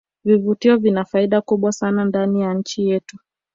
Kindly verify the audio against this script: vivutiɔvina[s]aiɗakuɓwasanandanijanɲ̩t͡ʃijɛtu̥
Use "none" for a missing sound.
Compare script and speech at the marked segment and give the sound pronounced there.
f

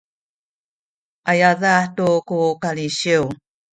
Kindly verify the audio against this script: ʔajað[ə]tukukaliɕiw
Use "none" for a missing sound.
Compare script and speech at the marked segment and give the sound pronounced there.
a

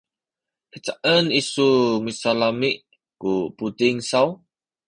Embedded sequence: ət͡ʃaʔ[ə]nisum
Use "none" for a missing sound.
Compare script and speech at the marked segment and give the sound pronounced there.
ə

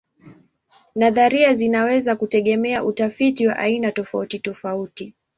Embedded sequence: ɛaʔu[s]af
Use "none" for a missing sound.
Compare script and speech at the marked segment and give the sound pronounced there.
t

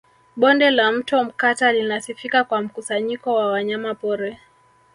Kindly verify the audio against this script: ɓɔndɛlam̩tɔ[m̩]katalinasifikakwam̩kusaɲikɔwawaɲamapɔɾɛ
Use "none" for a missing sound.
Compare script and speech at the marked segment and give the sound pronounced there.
m̩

